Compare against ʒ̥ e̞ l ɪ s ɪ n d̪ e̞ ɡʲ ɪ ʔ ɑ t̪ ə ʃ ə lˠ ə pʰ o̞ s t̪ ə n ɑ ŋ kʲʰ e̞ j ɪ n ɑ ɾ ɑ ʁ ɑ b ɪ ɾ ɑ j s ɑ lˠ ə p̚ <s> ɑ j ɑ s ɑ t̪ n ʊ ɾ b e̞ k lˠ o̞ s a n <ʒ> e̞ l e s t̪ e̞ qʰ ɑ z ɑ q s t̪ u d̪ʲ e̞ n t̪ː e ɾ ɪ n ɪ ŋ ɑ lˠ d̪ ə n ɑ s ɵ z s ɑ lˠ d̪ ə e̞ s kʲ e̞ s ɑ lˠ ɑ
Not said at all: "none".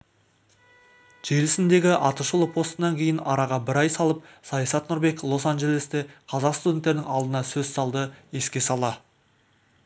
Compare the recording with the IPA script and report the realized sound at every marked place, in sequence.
s, ʒ

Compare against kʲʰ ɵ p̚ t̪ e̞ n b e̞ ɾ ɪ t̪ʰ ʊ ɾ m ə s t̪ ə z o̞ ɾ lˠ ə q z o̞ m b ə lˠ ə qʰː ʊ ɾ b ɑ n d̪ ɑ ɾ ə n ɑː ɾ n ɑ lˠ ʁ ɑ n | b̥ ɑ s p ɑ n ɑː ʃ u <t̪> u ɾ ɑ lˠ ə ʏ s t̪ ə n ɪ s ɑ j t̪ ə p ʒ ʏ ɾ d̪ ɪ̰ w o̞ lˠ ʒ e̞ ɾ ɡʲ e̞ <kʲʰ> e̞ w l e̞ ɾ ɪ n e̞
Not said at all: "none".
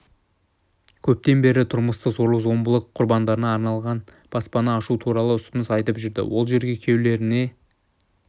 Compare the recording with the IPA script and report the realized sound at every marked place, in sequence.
t̪ʰ, kʲʰ

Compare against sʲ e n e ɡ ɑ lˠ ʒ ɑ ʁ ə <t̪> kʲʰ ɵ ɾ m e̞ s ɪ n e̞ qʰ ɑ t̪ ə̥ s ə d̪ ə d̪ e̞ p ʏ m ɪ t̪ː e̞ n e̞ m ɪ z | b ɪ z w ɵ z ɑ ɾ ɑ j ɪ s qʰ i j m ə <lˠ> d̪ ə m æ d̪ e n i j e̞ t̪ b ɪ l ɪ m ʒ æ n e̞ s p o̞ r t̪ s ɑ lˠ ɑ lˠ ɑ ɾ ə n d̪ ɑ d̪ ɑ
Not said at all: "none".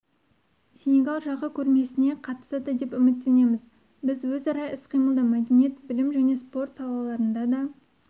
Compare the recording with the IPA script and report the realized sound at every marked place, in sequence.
none, lˠ

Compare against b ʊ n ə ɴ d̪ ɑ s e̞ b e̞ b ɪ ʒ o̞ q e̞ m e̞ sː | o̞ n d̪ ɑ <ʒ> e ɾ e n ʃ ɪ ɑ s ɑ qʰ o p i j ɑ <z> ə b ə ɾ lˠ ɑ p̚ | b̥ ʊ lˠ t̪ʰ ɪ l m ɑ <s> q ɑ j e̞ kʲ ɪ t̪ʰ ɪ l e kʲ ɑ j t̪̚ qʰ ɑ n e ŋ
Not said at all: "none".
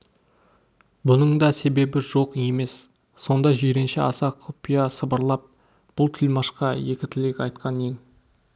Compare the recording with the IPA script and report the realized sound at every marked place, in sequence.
ʒ, s, ʃ

